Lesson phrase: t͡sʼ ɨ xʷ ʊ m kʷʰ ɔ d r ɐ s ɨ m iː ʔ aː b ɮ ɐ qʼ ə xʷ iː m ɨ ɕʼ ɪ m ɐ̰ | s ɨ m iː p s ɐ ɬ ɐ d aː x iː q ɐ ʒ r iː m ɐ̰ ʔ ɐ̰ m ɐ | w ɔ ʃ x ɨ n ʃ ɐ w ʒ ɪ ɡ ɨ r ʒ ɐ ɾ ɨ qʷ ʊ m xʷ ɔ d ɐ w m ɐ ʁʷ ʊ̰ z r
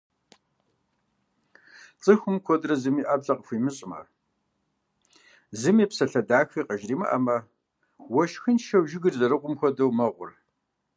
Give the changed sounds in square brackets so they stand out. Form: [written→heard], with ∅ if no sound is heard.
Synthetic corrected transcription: t͡sʼ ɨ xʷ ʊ m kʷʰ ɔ d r ɐ [s→z] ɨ m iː ʔ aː b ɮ ɐ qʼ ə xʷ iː m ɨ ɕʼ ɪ m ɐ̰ | [s→z] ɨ m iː p s ɐ ɬ ɐ d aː x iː q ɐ ʒ r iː m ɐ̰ ʔ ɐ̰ m ɐ | w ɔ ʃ x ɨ n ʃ ɐ w ʒ ɪ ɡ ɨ r [ʒ→z] ɐ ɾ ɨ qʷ ʊ m xʷ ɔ d ɐ w m ɐ ʁʷ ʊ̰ [z→∅] r